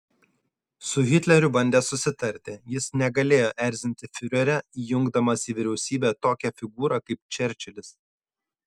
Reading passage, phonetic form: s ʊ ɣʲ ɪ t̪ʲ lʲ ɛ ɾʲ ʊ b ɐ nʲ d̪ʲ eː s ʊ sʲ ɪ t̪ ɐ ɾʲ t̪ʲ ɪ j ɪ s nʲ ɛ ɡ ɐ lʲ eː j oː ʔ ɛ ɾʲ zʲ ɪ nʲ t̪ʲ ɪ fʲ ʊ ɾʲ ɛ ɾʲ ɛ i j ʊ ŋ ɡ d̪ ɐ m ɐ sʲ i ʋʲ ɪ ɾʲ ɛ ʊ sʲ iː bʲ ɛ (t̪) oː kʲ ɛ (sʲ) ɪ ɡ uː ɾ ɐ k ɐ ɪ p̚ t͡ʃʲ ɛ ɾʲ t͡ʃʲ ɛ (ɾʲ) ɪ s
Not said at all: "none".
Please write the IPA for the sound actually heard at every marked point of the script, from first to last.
t̪, fʲ, lʲ

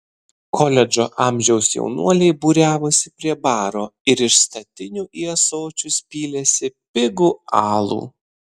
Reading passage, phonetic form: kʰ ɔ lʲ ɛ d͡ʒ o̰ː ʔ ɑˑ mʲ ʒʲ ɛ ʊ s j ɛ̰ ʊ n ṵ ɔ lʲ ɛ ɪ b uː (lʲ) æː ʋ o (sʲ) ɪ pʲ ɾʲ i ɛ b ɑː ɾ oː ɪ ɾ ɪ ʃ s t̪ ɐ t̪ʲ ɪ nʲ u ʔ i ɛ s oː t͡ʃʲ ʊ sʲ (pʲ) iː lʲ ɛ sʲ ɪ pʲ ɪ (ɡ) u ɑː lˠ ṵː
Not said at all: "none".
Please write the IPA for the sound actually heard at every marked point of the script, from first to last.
ɾʲ, sʲ, pʲ, ɡ

